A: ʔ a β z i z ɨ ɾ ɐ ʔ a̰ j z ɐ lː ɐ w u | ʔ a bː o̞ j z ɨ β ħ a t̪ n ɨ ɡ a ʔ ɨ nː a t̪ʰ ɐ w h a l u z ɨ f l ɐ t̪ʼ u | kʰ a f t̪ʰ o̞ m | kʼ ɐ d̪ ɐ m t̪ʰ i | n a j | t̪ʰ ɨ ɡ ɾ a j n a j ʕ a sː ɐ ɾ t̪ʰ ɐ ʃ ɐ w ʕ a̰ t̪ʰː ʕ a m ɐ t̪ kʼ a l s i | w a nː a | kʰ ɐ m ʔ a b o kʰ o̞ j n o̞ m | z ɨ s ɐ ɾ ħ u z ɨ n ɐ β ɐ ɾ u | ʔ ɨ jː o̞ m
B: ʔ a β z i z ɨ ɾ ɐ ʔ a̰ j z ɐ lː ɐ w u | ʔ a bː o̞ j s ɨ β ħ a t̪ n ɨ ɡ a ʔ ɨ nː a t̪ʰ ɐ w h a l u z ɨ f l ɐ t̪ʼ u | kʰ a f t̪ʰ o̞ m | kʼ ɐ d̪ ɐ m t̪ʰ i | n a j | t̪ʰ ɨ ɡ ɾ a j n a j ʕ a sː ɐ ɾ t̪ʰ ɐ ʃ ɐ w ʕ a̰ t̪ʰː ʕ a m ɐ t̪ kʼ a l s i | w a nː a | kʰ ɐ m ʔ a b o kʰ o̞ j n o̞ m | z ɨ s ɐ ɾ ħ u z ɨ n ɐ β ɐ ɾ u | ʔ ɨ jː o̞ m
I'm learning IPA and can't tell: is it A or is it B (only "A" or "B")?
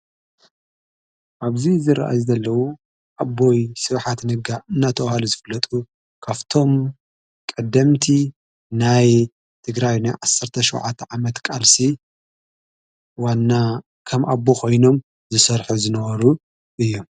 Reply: B